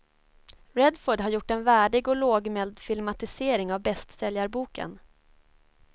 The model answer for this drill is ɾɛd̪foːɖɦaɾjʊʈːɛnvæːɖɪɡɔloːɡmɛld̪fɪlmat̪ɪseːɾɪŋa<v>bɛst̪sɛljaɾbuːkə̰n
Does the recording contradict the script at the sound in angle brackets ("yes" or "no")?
no